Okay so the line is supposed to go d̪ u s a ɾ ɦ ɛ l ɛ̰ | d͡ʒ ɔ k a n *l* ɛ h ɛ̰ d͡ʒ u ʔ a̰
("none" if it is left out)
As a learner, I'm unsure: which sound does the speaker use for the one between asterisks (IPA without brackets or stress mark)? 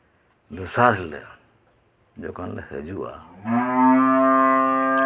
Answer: l